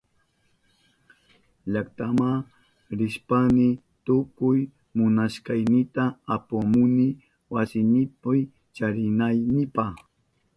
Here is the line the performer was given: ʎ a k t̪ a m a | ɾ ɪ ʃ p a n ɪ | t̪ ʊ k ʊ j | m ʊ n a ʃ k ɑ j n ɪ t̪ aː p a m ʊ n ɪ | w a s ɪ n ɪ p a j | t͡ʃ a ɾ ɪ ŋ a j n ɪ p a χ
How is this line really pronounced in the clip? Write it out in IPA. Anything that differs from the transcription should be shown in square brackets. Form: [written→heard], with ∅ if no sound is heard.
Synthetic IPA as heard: ʎ a k t̪ a m a | ɾ ɪ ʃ p a n ɪ | t̪ ʊ k ʊ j | m ʊ n a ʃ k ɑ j n ɪ t̪ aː p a m ʊ n ɪ | w a s ɪ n ɪ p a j | t͡ʃ a ɾ ɪ [ŋ→n] a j n ɪ p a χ

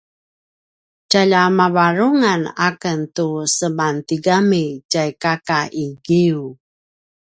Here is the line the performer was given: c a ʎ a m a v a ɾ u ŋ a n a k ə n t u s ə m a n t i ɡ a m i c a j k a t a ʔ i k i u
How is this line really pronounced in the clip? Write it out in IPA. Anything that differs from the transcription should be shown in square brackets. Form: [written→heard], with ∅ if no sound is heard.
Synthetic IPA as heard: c a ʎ a m a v a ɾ u ŋ a n a k ə n t u s ə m a n t i ɡ a m i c a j k a [t→k] a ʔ i [k→ɡ] i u

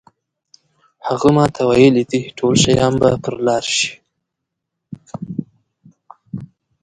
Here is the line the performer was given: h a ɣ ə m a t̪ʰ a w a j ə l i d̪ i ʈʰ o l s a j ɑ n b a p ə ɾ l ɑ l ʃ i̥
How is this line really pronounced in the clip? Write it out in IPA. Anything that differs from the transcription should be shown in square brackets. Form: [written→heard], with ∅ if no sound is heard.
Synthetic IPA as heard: h a ɣ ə m [a→ɑ] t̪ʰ a w a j ə l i d̪ i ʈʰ o l [s→ʃ] a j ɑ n b a p ə ɾ l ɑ [l→ɾ] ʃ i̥

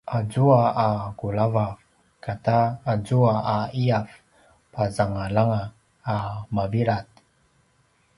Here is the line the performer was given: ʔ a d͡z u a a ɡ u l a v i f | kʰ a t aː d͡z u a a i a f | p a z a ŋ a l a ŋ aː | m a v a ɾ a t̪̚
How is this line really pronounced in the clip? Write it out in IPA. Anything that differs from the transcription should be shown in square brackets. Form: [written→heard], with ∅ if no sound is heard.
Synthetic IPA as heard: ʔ a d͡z u a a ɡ u l a v [i→a] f | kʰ a t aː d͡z u a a i a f | p a z a ŋ a l a ŋ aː | m a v [a→i] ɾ a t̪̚

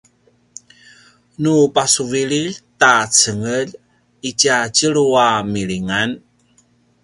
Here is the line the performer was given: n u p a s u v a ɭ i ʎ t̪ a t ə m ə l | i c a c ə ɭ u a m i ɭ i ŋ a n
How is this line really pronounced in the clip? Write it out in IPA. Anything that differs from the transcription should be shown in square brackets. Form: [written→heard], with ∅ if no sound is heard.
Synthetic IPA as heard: n u p a s u v [a→i] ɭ i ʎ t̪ a [t→t͡s] ə [m→ŋ] ə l | i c a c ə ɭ u a m i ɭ i ŋ a n

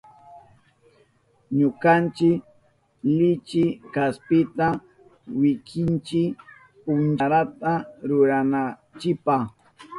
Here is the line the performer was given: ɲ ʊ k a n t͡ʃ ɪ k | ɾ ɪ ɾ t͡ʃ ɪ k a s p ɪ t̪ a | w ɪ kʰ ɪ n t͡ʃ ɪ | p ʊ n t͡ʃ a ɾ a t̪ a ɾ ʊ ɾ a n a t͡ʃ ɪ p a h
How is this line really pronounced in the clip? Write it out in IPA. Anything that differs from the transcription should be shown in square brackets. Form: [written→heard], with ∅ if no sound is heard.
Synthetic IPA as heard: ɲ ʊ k a n t͡ʃ ɪ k | [ɾ→l] ɪ [ɾ→∅] t͡ʃ ɪ k a s p ɪ t̪ a | w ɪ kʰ ɪ n t͡ʃ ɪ | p ʊ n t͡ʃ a ɾ a t̪ a ɾ ʊ ɾ a n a t͡ʃ ɪ p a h

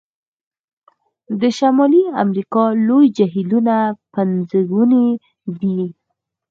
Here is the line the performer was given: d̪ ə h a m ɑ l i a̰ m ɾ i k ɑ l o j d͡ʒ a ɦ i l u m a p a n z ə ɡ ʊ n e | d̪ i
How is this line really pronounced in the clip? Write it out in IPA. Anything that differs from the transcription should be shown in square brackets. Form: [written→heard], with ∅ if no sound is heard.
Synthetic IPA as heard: d̪ ə [h→ʃ] a m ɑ l i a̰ m ɾ i k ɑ l o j d͡ʒ a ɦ i l u [m→n] a p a n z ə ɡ [ʊ→u] n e | d̪ i

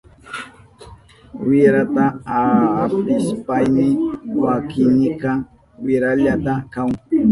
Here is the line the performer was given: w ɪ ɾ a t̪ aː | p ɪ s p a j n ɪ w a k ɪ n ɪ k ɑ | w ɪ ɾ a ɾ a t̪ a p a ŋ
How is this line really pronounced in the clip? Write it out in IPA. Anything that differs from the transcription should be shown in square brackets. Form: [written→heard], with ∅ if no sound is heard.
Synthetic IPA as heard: w ɪ ɾ a t̪ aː | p ɪ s p a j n ɪ w a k ɪ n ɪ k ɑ | w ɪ ɾ a [ɾ→ʎ] a t̪ a [p→k] a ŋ

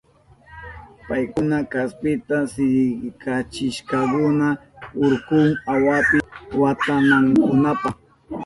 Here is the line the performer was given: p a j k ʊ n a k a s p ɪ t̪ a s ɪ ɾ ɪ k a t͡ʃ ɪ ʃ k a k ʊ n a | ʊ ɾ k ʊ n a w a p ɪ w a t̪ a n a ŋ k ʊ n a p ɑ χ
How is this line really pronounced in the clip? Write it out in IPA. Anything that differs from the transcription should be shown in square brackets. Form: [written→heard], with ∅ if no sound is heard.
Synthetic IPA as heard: p a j k ʊ n a k a s p ɪ t̪ a s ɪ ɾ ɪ k a t͡ʃ ɪ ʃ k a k ʊ n a | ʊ ɾ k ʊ [n→ŋ] a w a p ɪ w a t̪ a n a ŋ k ʊ n a p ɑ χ

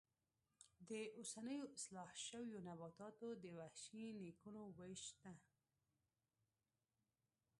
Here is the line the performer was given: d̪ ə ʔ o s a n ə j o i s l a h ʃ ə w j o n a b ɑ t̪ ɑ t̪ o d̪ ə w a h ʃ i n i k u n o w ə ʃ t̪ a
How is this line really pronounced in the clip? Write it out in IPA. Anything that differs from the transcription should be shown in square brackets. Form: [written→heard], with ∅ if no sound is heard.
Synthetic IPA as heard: d̪ ə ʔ o s a n ə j o [i→ɪ] s l [a→ɑ] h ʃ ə w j o n a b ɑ t̪ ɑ t̪ o d̪ ə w a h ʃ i n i k u n o w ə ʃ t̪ a

